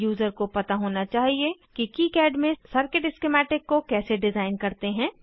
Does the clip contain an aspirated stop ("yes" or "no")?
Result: no